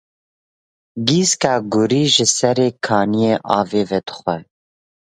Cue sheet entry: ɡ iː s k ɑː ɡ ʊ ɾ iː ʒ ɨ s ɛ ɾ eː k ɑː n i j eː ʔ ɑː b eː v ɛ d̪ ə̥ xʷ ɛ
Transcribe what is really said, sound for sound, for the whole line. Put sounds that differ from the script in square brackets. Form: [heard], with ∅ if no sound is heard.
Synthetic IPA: ɡ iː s k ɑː ɡ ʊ ɾ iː ʒ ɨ s ɛ ɾ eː [kʰ] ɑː n i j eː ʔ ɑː [v] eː v ɛ d̪ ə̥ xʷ ɛ